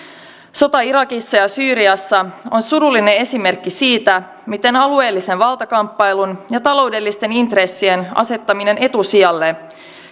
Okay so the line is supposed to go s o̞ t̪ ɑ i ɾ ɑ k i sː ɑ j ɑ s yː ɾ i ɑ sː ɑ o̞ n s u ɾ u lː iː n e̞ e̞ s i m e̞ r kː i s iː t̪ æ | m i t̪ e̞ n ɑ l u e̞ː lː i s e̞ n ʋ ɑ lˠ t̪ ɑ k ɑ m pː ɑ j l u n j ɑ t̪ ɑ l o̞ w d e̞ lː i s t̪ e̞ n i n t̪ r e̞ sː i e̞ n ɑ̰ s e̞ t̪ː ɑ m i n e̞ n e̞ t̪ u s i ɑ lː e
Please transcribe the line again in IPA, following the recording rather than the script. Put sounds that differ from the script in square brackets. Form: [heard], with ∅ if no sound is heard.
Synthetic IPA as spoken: s o̞ t̪ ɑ i ɾ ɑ k i sː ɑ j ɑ s yː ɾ i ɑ sː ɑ o̞ n s u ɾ u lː [i] n e̞ e̞ s i m e̞ r kː i s iː t̪ æ | m i t̪ e̞ n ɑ l u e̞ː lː i s e̞ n ʋ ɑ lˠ t̪ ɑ k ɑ m pː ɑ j l u n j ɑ t̪ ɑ l o̞ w d e̞ lː i s t̪ e̞ n i n t̪ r e̞ sː i e̞ n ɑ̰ s e̞ t̪ː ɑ m i n e̞ n e̞ t̪ u s i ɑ lː e